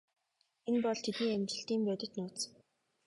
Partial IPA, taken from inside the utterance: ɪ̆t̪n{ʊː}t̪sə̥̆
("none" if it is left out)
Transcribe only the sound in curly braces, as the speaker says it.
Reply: ʊː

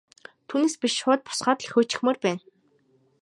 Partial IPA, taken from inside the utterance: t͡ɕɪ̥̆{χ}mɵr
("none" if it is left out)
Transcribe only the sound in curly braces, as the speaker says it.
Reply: x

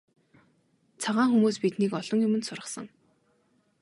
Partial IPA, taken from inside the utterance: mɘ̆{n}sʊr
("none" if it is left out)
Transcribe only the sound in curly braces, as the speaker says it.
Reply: n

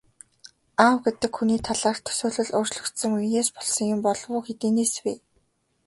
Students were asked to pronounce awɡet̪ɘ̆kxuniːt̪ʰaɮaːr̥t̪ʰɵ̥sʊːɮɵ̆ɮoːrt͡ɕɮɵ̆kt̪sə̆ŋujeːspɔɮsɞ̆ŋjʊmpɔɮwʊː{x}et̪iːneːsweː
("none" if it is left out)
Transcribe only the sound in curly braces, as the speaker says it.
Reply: x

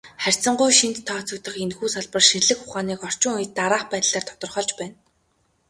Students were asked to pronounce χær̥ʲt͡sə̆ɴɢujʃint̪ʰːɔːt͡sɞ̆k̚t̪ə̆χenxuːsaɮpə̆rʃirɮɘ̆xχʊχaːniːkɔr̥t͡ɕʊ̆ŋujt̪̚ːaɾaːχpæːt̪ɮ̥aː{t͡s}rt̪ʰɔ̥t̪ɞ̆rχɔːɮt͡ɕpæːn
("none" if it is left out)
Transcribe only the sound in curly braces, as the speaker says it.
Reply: none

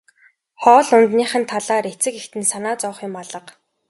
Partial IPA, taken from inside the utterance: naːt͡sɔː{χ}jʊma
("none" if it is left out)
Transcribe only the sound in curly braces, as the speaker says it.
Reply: χ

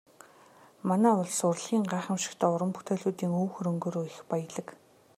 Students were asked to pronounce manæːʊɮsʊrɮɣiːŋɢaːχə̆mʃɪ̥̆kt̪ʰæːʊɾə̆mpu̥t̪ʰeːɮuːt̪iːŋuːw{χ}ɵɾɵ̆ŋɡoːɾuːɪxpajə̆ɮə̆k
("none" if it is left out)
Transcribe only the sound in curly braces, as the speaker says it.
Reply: x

